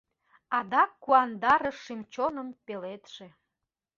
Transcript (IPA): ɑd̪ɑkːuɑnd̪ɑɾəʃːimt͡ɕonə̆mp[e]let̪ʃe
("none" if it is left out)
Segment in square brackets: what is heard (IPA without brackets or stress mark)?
e